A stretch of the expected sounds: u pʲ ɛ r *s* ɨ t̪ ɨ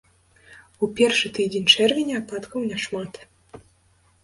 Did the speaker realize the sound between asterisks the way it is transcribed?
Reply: no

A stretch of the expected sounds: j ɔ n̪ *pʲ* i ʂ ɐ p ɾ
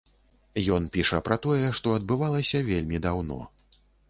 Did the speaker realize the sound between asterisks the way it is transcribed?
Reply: yes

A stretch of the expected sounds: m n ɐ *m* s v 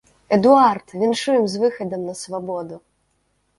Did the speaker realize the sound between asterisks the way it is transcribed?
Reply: no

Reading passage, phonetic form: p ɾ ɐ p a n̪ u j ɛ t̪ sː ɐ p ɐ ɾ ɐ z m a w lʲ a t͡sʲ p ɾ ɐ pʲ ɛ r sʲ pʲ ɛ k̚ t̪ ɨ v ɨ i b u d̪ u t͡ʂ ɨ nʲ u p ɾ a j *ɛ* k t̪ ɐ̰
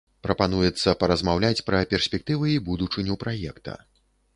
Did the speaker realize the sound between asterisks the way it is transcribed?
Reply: yes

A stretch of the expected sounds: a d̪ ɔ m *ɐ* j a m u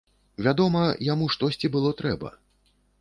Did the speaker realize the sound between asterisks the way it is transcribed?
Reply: yes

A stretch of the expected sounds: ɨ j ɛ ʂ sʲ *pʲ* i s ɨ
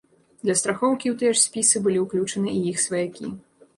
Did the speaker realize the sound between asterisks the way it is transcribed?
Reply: yes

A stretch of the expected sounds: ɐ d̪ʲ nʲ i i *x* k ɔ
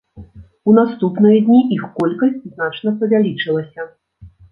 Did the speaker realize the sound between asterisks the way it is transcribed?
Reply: yes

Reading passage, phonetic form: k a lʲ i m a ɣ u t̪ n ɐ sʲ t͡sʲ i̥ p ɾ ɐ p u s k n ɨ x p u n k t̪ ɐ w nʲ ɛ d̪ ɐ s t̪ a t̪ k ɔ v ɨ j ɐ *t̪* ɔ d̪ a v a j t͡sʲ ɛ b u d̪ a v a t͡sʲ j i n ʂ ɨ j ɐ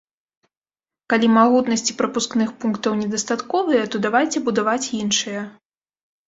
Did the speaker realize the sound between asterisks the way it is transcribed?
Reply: yes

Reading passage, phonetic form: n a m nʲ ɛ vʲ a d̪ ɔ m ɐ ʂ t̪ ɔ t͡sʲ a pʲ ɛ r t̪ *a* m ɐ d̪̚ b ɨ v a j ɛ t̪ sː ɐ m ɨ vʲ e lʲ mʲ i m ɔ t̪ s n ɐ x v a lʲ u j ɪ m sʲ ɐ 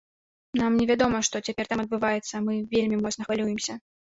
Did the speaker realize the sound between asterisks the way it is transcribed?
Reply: yes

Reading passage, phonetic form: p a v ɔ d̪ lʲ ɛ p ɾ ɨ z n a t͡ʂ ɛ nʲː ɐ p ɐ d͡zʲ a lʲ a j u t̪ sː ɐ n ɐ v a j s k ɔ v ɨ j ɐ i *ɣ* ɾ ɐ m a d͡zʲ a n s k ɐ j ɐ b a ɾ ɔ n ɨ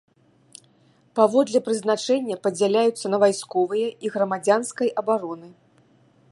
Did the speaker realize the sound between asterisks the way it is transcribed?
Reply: yes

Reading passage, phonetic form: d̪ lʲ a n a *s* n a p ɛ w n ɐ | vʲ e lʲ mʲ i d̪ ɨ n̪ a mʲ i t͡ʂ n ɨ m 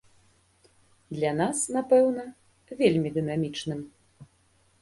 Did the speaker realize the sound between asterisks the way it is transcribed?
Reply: yes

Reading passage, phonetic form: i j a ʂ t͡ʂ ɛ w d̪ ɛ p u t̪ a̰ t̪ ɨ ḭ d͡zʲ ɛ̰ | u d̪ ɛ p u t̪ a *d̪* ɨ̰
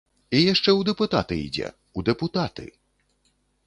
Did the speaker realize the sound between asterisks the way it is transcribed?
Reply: no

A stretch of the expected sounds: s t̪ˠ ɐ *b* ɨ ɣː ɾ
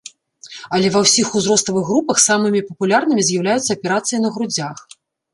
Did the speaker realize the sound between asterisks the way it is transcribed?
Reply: no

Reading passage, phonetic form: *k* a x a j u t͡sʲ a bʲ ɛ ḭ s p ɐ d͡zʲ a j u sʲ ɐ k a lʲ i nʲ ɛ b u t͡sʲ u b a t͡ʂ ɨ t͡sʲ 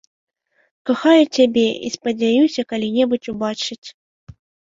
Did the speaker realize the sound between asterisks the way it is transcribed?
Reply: yes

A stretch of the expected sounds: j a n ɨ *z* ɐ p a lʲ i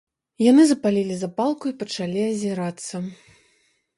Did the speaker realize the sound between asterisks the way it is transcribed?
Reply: yes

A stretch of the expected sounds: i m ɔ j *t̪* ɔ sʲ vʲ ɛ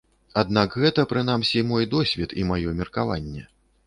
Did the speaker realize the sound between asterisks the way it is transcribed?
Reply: no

